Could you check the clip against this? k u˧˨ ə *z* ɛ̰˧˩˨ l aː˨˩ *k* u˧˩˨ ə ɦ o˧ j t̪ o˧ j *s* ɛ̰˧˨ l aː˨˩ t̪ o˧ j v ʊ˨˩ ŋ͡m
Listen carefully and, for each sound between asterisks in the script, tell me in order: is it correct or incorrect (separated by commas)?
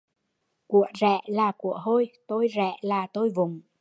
correct, correct, incorrect